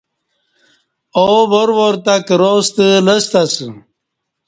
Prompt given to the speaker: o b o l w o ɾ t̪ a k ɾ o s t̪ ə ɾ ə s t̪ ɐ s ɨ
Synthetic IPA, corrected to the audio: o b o ɾ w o ɾ t̪ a k ɾ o s t̪ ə l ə s t̪ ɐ s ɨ